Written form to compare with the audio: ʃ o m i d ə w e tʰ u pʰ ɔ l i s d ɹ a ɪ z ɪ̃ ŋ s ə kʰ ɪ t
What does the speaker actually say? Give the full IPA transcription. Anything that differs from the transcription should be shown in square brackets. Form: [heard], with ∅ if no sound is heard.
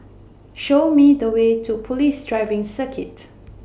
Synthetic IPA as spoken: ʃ o m i d ə w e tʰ u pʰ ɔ l i s d ɹ a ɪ [v] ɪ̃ ŋ s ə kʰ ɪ t